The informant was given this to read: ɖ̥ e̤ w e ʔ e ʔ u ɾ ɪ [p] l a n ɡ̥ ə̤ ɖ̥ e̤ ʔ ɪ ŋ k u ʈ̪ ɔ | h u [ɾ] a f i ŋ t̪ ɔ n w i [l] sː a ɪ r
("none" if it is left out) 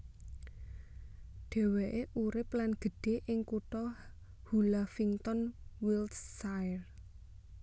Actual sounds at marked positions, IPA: p, l, l

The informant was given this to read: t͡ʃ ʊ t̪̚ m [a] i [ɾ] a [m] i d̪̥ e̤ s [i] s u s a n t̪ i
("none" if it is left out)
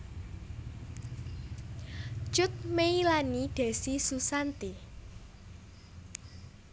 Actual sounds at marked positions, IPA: e, l, n, i

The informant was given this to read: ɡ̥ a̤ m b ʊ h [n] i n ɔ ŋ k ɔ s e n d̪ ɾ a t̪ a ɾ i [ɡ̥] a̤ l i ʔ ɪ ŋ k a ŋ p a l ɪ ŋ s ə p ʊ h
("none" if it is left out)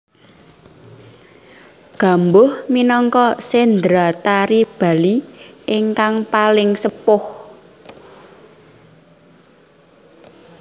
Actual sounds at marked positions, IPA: m, b̥

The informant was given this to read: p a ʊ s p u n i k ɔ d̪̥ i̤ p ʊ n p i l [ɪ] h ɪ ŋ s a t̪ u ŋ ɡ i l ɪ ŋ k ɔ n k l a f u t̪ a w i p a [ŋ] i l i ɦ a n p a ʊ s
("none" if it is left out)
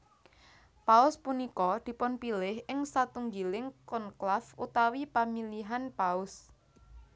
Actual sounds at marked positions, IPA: ɪ, m

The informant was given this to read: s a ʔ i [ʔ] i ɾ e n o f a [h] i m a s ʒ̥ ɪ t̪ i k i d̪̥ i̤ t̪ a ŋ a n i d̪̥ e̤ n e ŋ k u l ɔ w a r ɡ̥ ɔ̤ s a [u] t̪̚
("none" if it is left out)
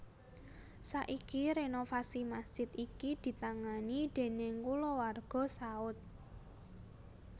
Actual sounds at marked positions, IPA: k, s, ʊ

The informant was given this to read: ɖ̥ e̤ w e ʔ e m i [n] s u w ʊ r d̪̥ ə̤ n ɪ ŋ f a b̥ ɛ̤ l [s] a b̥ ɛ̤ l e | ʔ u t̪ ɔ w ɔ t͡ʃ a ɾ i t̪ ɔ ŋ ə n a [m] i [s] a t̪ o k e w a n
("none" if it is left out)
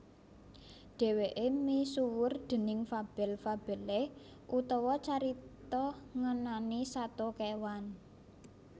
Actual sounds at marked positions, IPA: none, f, n, s

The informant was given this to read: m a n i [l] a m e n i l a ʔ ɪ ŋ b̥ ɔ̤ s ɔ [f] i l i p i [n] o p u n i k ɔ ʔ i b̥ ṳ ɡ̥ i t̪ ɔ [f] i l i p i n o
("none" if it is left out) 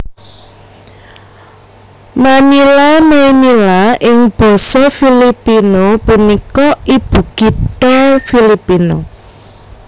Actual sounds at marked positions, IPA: l, f, n, f

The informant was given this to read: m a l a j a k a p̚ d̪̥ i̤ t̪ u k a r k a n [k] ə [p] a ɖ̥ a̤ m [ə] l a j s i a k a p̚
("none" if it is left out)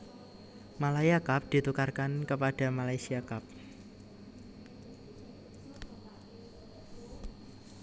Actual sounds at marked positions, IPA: k, p, a

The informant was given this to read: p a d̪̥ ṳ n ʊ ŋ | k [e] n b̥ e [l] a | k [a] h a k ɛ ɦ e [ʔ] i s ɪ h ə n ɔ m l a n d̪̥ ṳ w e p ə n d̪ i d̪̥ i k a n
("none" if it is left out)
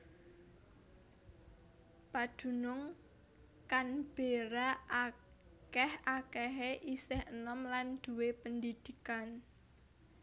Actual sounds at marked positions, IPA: a, ɾ, ɛ, ʔ

